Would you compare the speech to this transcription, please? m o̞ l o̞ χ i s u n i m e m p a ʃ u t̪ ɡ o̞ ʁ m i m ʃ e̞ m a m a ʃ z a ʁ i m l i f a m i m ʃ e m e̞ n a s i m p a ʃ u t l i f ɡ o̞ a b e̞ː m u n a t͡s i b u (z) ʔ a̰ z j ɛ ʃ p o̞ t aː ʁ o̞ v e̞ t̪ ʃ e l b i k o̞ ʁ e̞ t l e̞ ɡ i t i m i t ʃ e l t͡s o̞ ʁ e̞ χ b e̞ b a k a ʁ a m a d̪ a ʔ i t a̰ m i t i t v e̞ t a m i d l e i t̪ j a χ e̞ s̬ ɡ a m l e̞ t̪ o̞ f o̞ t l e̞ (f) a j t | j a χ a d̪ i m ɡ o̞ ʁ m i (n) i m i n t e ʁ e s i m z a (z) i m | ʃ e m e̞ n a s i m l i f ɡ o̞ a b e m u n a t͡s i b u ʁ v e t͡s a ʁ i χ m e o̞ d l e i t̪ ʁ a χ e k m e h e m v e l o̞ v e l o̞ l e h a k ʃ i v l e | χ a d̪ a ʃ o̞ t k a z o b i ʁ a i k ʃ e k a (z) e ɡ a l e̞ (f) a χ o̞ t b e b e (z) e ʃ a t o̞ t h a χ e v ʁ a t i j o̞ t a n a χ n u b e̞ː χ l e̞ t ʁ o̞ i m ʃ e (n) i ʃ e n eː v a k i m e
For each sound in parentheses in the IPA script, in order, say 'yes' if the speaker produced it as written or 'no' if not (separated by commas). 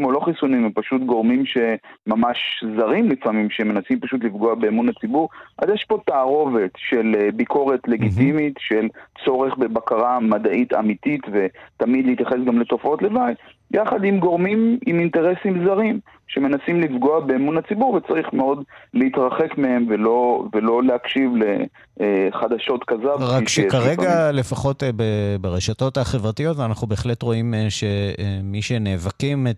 no, no, no, no, no, yes, no, no